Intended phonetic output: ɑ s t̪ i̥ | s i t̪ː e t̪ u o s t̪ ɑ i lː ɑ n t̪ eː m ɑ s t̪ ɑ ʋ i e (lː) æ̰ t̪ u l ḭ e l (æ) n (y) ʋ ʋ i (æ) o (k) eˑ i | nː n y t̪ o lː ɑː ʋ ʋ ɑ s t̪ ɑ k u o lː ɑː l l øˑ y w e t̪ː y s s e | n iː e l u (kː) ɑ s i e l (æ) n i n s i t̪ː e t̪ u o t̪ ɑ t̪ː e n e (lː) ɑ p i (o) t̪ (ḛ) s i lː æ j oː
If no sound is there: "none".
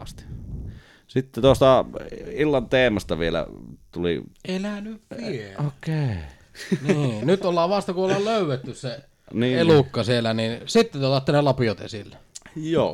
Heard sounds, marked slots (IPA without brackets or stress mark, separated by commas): l, æ, y, e, k, kː, æ, l, o, ḛ